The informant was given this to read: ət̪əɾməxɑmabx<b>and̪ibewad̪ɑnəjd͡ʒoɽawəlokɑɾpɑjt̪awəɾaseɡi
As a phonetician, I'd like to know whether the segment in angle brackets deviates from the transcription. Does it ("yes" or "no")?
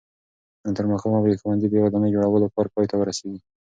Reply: yes